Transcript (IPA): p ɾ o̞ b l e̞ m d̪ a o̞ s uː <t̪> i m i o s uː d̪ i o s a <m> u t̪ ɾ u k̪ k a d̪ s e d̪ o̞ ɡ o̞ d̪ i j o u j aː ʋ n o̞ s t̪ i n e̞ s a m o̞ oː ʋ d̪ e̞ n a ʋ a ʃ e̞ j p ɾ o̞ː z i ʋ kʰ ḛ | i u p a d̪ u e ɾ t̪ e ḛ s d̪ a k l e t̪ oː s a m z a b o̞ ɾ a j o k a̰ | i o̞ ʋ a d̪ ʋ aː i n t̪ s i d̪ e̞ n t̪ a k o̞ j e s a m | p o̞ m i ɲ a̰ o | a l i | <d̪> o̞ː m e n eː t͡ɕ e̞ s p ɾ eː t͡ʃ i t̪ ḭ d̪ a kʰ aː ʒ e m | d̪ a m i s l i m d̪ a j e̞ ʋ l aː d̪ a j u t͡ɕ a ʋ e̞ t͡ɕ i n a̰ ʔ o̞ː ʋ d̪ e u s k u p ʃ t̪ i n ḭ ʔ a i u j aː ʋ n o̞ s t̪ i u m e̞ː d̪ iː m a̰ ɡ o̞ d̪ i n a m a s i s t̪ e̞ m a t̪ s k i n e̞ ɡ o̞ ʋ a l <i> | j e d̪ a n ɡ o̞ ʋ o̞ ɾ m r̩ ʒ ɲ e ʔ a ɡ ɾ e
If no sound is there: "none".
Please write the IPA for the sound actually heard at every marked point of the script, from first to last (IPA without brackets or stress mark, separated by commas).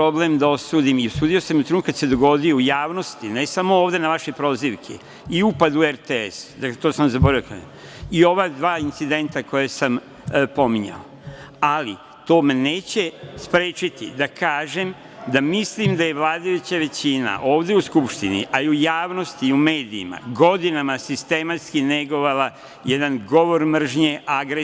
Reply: d̪, m, t̪, a